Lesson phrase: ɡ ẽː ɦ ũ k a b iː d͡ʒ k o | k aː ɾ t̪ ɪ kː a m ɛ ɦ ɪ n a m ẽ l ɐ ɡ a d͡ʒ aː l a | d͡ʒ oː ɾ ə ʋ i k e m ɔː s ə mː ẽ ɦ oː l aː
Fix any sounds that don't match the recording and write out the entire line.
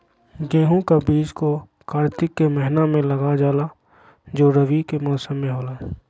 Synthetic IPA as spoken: ɡ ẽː ɦ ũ k a b iː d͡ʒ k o | k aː ɾ t̪ ɪ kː e m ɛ ɦ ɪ n a m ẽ l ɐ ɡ a d͡ʒ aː l a | d͡ʒ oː ɾ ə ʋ i k e m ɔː s ə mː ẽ ɦ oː l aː